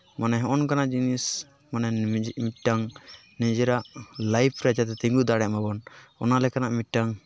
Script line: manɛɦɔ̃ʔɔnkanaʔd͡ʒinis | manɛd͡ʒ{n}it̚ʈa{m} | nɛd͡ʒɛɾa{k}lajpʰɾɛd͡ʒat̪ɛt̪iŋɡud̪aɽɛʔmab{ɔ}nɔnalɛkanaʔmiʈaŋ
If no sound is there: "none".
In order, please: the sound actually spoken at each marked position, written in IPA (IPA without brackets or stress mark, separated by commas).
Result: m, ŋ, ʔ, ɔ